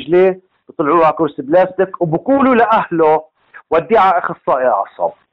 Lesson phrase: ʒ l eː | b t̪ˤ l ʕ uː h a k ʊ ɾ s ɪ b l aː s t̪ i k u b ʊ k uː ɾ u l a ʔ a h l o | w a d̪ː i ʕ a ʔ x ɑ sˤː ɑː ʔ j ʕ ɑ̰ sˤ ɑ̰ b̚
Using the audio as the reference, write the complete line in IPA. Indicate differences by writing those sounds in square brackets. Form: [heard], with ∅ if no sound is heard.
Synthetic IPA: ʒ l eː | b t̪ˤ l ʕ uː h a k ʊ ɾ s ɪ b l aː s t̪ [ɪ] k [w] b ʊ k uː [l] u l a ʔ a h l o | w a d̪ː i ʕ a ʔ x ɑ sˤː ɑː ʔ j ʕ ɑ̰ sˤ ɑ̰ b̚